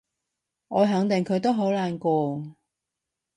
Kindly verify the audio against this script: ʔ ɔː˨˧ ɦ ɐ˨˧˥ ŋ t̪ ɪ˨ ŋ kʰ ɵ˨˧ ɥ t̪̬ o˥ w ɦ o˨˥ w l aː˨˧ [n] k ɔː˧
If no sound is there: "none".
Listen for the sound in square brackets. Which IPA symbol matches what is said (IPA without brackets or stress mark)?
n